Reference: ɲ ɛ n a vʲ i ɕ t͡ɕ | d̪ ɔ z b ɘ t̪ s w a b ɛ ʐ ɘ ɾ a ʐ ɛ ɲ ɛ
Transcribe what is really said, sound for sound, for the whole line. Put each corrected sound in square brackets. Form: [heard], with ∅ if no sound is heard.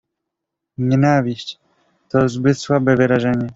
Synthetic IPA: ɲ ɛ n a vʲ i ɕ t͡ɕ | [t̪] ɔ z b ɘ t̪ s w a b ɛ [v] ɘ ɾ a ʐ ɛ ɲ ɛ